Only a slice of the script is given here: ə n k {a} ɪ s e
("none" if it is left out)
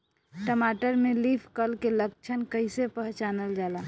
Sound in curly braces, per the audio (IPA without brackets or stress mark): ə